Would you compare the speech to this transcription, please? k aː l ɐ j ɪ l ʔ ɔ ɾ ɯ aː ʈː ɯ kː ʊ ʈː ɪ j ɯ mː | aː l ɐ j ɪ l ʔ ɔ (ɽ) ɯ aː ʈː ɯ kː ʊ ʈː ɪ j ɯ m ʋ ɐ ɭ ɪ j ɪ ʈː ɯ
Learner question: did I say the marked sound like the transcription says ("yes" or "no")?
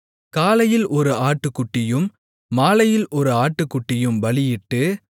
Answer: no